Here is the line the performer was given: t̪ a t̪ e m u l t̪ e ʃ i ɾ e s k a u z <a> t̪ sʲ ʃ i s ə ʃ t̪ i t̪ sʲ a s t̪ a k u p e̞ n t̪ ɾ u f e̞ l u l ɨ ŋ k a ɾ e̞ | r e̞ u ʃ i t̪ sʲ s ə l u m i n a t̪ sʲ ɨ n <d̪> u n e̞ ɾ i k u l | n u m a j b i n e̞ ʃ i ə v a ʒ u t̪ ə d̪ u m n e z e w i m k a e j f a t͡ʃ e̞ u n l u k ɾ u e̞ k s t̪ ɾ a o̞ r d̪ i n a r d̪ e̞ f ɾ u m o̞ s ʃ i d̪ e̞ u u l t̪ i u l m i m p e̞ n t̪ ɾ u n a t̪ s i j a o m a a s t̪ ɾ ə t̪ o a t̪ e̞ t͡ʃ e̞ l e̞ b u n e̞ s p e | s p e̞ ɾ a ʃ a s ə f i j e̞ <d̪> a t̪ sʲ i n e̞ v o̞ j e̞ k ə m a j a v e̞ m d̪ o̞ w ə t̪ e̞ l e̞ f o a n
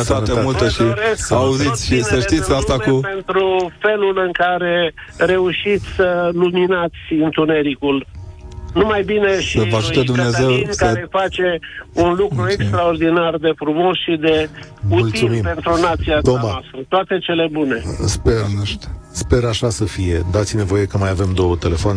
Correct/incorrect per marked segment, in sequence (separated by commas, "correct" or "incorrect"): incorrect, incorrect, correct